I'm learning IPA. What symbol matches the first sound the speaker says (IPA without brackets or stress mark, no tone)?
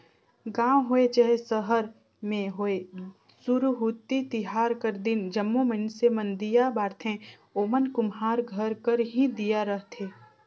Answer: ɡ